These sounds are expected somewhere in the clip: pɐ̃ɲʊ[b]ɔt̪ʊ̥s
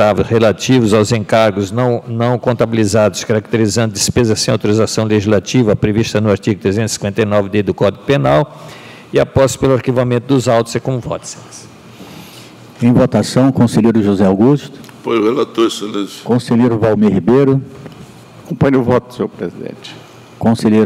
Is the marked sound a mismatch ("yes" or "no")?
yes